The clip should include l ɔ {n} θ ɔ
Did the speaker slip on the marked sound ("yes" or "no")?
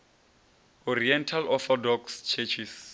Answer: yes